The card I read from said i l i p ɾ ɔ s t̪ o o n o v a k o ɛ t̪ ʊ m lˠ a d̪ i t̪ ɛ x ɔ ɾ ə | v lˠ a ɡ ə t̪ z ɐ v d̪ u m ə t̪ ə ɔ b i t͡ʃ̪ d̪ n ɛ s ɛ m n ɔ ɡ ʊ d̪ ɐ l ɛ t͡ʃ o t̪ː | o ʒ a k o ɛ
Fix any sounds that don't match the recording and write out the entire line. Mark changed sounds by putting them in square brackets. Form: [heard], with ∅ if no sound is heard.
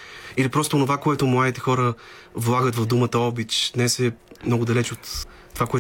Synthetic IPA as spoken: i l i p ɾ ɔ s t̪ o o n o v a k o ɛ t̪ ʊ m lˠ a d̪ i t̪ ɛ x ɔ ɾ ə | v lˠ a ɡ ə t̪ [v] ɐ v d̪ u m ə t̪ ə ɔ b i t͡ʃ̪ d̪ n ɛ s ɛ m n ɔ ɡ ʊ d̪ ɐ l ɛ t͡ʃ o t̪ː | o [v] a k o ɛ